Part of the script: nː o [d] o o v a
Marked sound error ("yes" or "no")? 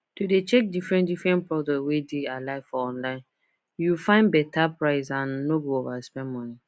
yes